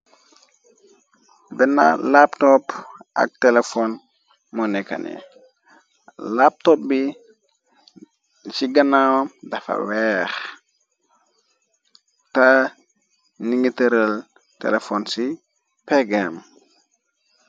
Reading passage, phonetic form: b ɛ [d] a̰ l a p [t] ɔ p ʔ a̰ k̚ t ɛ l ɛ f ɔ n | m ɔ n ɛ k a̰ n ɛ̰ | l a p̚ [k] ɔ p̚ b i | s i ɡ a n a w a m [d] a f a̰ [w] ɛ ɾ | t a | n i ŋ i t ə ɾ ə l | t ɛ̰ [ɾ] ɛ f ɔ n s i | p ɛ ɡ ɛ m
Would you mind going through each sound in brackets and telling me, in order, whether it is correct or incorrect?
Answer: incorrect: n, correct, incorrect: t, correct, correct, incorrect: l

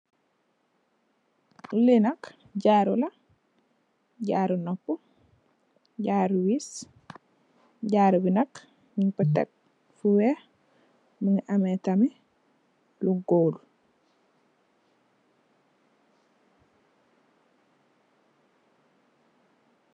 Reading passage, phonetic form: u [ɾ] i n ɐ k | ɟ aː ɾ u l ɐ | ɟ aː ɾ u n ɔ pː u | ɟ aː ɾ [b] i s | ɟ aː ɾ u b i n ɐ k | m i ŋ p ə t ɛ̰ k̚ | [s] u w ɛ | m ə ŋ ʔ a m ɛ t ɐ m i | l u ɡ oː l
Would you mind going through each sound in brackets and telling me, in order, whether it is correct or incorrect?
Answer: incorrect: l, incorrect: w, incorrect: f

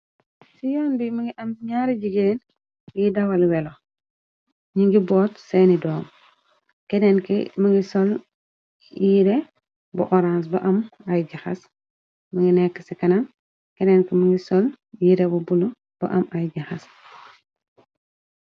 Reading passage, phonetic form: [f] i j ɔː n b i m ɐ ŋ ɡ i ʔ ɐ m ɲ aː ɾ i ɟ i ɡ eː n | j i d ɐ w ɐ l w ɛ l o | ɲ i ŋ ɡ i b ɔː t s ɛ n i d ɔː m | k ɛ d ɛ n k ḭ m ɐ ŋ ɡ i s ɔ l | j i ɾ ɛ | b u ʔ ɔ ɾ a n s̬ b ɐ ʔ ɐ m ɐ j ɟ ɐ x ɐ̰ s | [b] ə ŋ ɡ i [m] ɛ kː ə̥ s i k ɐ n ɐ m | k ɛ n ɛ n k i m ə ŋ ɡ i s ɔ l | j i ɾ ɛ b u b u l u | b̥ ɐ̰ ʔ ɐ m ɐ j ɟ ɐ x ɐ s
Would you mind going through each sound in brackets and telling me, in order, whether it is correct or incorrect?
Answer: incorrect: s, incorrect: m, incorrect: n

